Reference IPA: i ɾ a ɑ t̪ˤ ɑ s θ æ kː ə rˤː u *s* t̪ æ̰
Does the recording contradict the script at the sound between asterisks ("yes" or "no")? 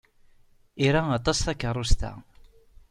no